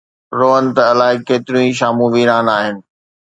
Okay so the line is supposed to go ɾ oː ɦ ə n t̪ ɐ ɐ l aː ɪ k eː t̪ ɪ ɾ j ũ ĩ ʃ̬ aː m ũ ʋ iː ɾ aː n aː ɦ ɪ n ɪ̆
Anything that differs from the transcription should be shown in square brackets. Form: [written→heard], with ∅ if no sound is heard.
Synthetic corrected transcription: ɾ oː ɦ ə n t̪ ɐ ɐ l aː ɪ k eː t̪ ɪ ɾ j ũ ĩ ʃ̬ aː m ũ ʋ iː ɾ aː n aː ɦ ɪ n ɪ̆